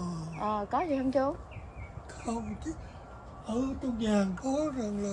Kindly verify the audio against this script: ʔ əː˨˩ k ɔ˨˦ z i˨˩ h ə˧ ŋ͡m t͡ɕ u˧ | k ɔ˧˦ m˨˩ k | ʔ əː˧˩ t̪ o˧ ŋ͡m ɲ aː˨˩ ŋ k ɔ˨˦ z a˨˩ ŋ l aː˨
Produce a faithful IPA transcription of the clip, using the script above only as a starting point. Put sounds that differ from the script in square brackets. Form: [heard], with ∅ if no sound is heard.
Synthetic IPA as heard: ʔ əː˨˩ k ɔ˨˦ z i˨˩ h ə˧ ŋ͡m t͡ɕ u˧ | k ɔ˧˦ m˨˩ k | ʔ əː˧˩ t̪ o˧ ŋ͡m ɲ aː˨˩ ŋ k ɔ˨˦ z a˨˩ ŋ l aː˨